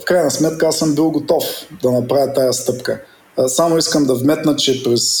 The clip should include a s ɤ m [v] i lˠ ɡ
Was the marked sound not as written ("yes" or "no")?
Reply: yes